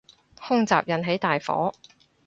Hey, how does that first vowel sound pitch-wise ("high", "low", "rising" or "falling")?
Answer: high